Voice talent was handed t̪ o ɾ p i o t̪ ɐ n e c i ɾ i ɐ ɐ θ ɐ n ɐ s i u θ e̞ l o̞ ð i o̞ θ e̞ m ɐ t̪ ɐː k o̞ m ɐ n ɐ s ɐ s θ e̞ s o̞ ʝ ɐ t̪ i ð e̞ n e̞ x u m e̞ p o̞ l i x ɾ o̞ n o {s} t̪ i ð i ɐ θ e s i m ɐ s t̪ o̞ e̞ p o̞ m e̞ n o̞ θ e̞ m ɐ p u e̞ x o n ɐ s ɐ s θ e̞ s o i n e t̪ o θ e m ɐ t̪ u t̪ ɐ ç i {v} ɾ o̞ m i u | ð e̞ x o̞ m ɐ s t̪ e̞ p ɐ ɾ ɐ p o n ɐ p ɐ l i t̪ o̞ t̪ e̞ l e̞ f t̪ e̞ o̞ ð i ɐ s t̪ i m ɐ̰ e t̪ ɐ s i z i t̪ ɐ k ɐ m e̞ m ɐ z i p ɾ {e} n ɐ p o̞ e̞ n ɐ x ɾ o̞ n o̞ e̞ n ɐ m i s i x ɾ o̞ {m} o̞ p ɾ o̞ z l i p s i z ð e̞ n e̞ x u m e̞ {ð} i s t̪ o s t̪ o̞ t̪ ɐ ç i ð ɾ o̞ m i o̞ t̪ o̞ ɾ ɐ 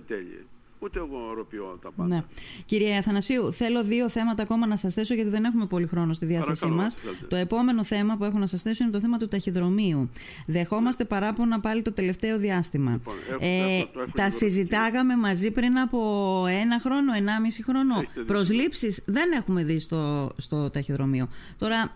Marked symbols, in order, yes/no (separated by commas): yes, no, no, no, yes